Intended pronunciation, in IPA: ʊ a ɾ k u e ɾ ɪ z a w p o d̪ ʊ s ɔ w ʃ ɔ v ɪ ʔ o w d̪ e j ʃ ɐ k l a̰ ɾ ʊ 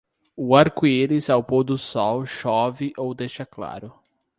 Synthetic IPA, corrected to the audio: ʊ a ɾ k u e ɾ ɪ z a w p o d̪ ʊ s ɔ w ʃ ɔ v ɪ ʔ o w d̪ e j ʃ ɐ k l a̰ ɾ ʊ